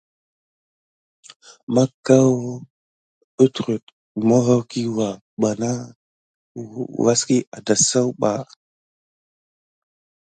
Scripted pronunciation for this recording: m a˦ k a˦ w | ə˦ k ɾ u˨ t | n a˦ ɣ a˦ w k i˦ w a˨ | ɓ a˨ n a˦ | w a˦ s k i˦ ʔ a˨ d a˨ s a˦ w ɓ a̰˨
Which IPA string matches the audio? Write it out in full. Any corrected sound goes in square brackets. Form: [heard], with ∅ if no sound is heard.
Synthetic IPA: m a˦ k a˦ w | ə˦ [t] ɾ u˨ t | [m] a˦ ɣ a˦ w k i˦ w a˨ | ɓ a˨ n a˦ | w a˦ s k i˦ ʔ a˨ d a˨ s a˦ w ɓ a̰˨